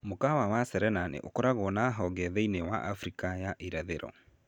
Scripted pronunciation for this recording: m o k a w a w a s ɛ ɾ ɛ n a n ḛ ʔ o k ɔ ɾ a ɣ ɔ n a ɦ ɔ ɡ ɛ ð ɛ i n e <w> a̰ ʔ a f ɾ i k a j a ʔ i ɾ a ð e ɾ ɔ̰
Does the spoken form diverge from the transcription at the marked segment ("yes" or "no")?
no